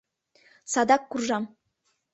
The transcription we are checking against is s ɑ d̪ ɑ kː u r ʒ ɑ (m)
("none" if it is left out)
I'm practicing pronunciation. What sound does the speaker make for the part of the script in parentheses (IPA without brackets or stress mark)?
m